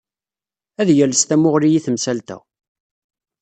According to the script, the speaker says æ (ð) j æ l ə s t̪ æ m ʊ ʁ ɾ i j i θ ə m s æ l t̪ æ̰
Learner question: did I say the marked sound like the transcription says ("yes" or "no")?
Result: yes